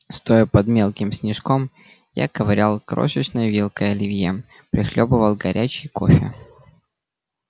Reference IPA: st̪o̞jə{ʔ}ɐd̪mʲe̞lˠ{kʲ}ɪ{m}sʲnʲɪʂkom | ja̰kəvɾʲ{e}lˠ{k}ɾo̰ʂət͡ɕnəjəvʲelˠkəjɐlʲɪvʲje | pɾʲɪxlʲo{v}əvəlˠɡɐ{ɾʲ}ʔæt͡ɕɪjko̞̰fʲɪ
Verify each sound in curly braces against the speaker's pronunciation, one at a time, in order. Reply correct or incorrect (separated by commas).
incorrect, correct, correct, incorrect, correct, incorrect, correct